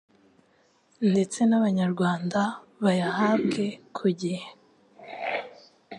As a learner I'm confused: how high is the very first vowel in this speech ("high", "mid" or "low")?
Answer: mid